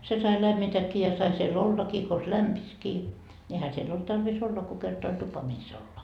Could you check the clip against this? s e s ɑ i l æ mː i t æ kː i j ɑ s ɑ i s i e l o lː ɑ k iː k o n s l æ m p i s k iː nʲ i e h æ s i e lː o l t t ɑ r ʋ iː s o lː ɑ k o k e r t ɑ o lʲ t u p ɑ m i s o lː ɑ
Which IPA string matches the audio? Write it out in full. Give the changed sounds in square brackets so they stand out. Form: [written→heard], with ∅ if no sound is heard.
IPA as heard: s e s ɑ i l æ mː i t æ kː i j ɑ s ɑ i s i e l o lː ɑ k iː k o n s l æ m p i s k iː nʲ i e h æ s i e lː o l t t ɑ r ʋ [iː→i] s o lː ɑ k o k e r t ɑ o lʲ t u p ɑ m i s o lː ɑ